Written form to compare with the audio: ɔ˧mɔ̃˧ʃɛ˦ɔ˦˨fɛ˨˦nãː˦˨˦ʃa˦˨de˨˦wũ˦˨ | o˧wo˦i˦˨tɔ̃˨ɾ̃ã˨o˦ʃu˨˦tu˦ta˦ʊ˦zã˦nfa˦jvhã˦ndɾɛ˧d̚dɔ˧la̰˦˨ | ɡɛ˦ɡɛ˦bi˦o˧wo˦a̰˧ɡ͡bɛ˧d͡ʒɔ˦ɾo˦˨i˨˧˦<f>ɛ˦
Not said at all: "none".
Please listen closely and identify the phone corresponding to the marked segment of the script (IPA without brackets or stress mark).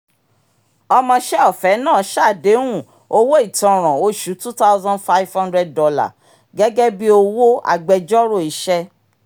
ʃ